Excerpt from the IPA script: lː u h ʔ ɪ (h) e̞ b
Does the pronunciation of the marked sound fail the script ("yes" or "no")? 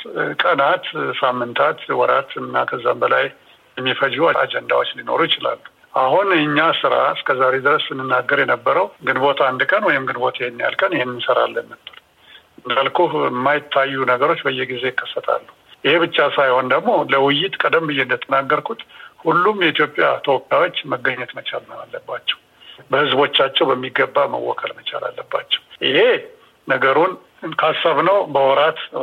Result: no